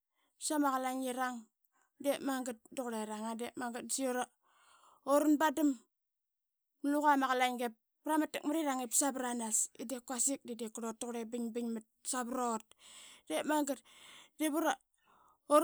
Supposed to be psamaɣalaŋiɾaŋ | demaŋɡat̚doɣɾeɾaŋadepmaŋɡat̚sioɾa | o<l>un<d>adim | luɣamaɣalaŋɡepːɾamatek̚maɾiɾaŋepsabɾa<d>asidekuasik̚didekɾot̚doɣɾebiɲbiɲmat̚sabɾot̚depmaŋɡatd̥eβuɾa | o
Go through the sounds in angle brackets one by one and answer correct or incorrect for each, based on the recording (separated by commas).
incorrect, incorrect, incorrect